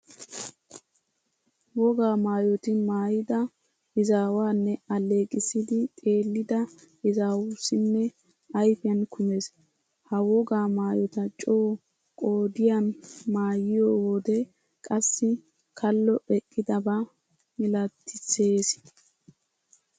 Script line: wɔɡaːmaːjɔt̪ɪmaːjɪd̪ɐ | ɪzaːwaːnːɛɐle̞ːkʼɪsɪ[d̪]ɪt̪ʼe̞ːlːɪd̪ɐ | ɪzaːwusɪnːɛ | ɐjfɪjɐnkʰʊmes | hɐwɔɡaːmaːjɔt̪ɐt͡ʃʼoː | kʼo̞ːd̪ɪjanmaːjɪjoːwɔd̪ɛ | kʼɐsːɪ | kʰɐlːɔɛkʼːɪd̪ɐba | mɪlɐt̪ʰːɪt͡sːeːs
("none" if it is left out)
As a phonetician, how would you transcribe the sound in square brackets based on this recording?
d̪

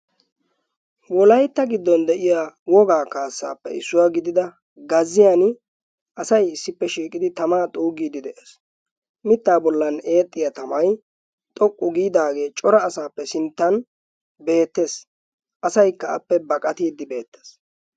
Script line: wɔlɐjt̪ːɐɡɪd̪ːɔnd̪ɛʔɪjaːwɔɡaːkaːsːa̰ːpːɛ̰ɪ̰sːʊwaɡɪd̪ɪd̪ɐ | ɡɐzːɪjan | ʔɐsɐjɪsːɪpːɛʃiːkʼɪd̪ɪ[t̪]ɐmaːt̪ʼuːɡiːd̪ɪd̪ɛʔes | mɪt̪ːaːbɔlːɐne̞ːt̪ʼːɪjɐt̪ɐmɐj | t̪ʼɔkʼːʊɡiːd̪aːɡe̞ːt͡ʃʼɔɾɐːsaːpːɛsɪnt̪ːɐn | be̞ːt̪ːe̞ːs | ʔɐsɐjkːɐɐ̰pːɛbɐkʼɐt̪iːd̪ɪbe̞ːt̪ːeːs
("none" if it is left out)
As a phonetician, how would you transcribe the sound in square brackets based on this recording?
t̪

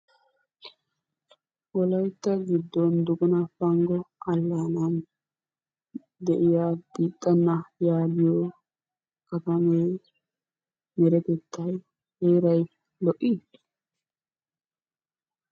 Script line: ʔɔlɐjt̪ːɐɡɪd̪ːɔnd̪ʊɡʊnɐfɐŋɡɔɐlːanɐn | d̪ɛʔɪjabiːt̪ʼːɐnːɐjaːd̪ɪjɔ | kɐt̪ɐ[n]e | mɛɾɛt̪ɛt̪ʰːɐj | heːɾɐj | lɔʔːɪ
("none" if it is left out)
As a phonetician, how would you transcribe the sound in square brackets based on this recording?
m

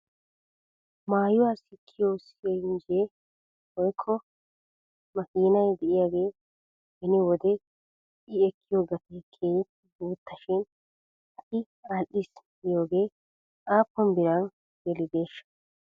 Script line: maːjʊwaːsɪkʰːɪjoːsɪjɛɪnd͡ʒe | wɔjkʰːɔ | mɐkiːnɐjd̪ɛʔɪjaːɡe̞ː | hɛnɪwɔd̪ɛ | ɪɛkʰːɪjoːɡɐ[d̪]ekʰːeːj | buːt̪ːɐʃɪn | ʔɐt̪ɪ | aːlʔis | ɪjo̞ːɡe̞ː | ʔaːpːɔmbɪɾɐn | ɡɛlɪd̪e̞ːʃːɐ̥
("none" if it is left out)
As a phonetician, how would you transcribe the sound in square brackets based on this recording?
t̪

